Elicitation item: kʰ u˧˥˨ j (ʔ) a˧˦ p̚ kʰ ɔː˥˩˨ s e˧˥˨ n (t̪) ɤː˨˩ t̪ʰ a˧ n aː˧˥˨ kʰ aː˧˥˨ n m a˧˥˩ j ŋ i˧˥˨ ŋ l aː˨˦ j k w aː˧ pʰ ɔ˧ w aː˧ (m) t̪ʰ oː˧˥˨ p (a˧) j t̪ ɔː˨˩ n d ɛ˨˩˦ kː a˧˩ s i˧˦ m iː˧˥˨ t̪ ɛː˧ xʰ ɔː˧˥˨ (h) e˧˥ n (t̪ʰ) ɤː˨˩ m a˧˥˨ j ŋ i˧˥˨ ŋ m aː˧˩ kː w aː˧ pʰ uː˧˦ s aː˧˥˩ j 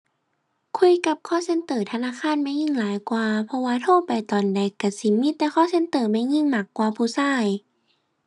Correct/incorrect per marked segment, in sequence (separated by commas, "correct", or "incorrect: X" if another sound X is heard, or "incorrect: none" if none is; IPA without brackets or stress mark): incorrect: k, correct, incorrect: none, incorrect: a˨˩, incorrect: s, incorrect: t̪